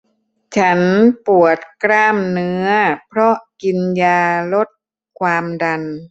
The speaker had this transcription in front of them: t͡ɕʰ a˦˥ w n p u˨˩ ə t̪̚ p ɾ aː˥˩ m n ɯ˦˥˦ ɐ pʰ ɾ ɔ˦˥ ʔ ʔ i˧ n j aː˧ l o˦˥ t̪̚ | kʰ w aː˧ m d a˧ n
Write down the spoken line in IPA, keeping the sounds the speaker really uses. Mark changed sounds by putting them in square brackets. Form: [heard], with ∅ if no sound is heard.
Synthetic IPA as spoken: t͡ɕʰ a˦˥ [∅] n p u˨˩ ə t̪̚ [k] ɾ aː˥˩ m n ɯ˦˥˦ ɐ pʰ ɾ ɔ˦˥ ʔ [k] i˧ n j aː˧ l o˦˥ t̪̚ | kʰ w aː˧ m d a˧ n